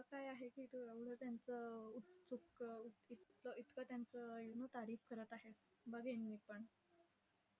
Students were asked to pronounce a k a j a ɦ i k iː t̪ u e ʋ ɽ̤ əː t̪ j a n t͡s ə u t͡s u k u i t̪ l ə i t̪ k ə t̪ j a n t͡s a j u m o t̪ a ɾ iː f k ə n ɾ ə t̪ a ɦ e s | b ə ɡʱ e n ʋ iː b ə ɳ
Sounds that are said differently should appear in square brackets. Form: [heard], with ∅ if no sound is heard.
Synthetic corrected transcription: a k a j a ɦ [e] k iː t̪ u e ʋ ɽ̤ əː t̪ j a n t͡s ə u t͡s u k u i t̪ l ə i t̪ k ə t̪ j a n t͡s [ə] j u [n] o t̪ a ɾ iː f k ə [∅] ɾ ə t̪ a ɦ e s | b ə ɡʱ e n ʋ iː [p] ə ɳ